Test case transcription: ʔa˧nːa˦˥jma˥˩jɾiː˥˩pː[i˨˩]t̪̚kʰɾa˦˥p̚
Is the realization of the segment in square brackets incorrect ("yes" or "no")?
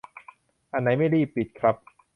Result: no